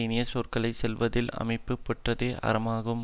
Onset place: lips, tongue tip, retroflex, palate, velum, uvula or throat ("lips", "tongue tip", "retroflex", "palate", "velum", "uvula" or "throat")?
tongue tip